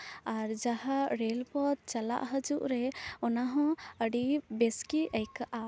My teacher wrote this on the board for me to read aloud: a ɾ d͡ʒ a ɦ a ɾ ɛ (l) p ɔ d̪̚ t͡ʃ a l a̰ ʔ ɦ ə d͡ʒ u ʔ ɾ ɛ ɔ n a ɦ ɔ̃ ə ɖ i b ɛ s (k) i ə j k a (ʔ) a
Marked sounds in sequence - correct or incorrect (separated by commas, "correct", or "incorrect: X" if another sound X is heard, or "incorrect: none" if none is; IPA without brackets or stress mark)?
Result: correct, correct, correct